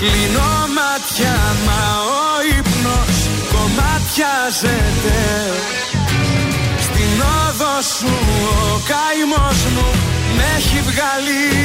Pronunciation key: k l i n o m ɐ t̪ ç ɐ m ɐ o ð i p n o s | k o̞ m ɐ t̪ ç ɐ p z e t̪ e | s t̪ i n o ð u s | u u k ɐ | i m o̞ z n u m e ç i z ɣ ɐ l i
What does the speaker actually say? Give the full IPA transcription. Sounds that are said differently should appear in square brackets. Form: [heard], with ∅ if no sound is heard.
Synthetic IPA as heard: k l i n o m ɐ t̪ ç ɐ m ɐ o [∅] i p n o s | k o̞ m ɐ t̪ ç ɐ [∅] z e t̪ e | s t̪ i n o ð [o] s | u [o] k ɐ | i m o̞ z [m] u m e ç i [v] ɣ ɐ l i